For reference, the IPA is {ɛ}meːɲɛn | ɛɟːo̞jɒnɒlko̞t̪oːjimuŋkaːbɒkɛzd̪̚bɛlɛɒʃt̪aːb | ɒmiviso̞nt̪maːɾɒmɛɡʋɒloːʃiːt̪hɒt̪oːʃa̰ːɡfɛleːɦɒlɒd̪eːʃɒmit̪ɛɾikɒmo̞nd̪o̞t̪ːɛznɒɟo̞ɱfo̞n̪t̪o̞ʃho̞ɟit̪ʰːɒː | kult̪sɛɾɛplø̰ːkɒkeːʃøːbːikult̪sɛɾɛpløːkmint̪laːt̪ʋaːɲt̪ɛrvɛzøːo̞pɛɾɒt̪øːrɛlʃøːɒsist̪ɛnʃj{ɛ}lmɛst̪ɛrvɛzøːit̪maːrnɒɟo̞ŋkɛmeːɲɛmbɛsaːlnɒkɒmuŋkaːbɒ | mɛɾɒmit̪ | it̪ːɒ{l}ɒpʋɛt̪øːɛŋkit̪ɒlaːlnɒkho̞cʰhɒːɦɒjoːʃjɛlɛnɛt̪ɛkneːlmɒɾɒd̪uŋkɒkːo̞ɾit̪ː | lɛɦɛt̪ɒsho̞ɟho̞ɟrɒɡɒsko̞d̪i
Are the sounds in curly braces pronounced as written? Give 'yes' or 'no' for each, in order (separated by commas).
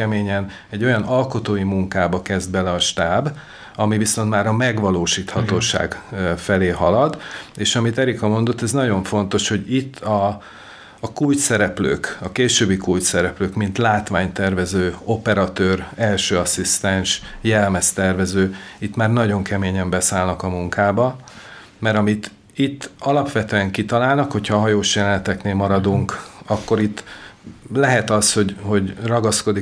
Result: yes, yes, yes